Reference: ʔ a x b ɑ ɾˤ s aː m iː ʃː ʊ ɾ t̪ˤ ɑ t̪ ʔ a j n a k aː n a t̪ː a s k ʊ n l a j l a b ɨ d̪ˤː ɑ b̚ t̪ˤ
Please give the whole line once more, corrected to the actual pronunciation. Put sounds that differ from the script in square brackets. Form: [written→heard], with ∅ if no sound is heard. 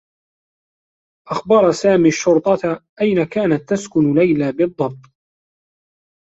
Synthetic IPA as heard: ʔ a x b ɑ ɾˤ s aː m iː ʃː ʊ ɾ t̪ˤ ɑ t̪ ʔ a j n a k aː n a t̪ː a s k ʊ n l a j l a b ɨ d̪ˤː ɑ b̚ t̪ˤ